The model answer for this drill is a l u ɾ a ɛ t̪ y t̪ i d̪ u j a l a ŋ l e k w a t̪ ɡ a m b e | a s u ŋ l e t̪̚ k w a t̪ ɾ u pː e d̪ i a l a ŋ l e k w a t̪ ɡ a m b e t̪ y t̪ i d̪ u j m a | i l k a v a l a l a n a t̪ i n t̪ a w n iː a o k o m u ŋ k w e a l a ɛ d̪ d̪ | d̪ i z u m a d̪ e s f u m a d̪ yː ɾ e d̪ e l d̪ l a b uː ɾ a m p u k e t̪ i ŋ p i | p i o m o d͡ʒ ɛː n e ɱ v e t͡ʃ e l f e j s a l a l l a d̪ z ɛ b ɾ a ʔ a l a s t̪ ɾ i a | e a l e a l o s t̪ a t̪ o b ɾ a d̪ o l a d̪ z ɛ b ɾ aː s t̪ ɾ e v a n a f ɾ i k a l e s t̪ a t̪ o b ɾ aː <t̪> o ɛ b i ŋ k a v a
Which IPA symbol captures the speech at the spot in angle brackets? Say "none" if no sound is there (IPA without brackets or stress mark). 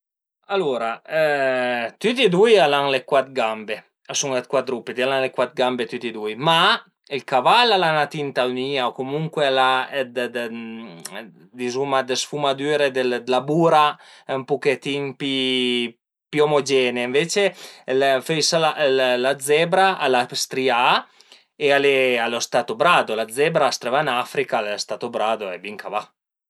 d̪